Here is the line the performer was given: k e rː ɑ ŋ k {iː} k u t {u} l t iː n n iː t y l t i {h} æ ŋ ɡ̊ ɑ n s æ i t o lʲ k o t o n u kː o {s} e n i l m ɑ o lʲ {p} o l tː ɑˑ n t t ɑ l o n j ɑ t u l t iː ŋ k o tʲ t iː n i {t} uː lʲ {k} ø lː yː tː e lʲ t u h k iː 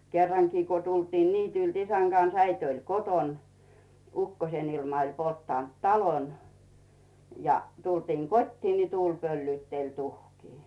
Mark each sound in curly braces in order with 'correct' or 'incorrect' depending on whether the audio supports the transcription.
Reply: correct, correct, incorrect: s, correct, correct, correct, incorrect: p

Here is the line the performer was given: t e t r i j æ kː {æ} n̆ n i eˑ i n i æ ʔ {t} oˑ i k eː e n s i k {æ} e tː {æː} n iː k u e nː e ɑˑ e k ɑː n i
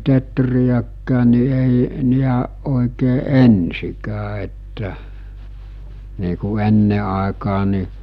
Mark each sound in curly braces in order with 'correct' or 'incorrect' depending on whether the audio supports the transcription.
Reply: incorrect: æː, incorrect: ʔ, incorrect: æː, incorrect: æ

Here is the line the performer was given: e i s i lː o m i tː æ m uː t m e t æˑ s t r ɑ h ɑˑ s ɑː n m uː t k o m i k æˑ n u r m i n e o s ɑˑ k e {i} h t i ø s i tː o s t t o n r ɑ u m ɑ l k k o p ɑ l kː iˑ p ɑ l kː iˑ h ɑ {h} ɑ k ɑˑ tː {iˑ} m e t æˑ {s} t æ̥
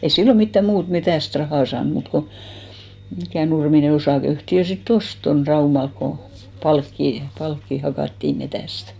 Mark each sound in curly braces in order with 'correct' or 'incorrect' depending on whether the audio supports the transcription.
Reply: incorrect: y, correct, correct, correct

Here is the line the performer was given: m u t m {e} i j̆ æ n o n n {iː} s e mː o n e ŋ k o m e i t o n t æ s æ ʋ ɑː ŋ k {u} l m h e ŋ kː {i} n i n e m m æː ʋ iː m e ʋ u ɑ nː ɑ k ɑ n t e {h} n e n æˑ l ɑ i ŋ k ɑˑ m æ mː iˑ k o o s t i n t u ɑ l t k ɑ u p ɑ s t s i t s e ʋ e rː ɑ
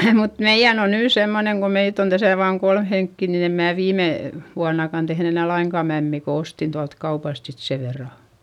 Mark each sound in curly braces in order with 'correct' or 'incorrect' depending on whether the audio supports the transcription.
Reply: correct, incorrect: yː, incorrect: o, correct, correct

